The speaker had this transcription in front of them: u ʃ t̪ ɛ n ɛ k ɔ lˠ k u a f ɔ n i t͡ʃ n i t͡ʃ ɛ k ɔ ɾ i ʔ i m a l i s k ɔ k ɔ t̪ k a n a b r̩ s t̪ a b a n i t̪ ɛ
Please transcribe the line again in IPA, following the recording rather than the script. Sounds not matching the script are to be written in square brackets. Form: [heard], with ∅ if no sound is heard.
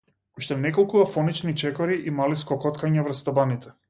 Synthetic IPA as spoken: u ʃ t̪ ɛ n ɛ k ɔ lˠ k u a f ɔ n i t͡ʃ n i t͡ʃ ɛ k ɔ ɾ i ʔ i m a l i s k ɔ k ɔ t̪ k a [ɲ] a [v] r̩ s t̪ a b a n i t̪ ɛ